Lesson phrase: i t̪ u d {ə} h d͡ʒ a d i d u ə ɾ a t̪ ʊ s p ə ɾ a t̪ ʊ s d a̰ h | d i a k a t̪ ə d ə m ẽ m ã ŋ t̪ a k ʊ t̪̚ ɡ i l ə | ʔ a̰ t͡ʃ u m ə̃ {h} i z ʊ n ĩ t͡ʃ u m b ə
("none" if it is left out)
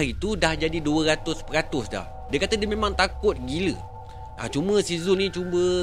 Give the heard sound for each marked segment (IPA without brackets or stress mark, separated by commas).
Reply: a, s